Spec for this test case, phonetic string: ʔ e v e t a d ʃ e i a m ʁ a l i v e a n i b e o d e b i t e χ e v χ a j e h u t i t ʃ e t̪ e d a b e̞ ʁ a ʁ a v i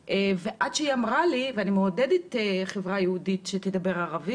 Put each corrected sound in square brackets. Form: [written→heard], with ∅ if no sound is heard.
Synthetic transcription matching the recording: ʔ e v e [t→ʔ] a d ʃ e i a m ʁ a l i v e a n i [b→m] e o d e [b→d] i t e χ e v [χ→ʁ] a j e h u [t→d] i t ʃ e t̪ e d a b e̞ ʁ a ʁ a v i